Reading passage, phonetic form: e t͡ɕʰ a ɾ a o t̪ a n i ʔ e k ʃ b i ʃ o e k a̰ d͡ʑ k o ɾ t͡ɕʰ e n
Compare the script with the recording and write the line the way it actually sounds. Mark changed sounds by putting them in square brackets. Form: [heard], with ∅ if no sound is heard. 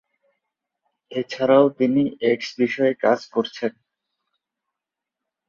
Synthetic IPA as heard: e t͡ɕʰ a ɾ a o t̪ [i] n i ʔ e k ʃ b i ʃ [ɔ] e k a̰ d͡ʑ k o ɾ t͡ɕʰ e n